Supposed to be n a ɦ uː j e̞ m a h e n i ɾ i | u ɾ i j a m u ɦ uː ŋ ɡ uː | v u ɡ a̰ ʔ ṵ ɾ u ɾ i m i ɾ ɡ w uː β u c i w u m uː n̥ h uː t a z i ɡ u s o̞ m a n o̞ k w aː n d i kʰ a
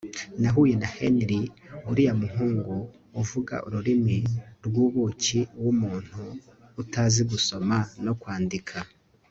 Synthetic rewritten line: n a ɦ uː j e̞ n a h e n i ɾ i | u ɾ i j a m u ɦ uː ŋ ɡ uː | v u ɡ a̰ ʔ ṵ ɾ u ɾ i m i ɾ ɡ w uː β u c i w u m uː n̥ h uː t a z i ɡ u s o̞ m a n o̞ k w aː n d i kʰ a